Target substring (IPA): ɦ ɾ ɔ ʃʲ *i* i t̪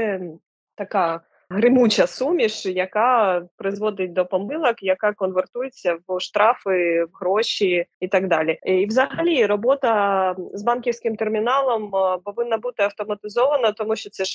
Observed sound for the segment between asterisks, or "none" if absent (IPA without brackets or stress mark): i